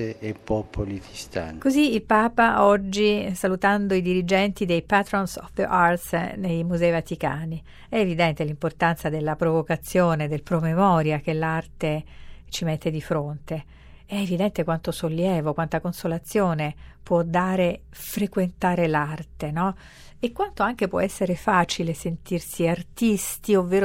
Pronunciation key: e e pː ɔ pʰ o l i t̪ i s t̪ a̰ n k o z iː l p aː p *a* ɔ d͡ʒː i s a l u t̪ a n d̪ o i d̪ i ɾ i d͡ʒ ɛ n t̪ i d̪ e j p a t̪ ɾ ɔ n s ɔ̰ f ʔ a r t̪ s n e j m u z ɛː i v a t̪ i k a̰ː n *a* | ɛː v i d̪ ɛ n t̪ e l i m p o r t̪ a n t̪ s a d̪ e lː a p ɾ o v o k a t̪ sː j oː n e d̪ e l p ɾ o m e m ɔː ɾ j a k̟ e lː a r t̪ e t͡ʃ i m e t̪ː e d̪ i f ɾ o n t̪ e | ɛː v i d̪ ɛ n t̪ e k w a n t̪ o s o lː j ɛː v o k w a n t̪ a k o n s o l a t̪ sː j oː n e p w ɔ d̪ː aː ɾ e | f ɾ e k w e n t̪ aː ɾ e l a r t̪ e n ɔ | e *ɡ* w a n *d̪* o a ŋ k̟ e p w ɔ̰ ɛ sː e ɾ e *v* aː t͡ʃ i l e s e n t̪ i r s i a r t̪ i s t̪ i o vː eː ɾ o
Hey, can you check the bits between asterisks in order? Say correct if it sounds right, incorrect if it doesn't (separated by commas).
correct, incorrect, incorrect, incorrect, incorrect